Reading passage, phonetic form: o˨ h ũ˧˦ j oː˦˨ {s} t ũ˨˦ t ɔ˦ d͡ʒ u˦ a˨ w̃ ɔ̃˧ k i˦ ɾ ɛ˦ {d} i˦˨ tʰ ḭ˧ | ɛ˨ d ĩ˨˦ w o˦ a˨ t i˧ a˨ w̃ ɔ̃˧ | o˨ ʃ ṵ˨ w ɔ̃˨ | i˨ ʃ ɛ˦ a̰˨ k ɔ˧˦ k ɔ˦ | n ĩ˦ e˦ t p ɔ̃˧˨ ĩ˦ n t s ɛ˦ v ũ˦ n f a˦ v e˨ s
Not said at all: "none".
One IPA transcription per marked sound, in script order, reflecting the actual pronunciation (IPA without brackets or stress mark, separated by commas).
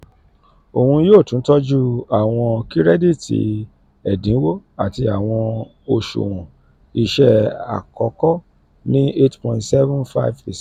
none, d